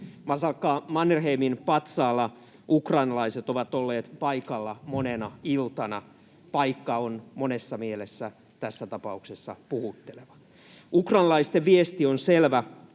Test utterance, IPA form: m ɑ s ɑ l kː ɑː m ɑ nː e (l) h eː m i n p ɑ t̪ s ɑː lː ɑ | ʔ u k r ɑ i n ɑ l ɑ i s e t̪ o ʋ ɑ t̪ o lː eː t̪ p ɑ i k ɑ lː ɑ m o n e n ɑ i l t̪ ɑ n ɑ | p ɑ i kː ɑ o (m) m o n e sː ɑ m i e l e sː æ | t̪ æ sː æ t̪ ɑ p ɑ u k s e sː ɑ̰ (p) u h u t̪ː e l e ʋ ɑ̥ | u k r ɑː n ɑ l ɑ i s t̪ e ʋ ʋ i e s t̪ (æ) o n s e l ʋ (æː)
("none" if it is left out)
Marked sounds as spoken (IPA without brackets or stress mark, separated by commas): r, n, p, i, æ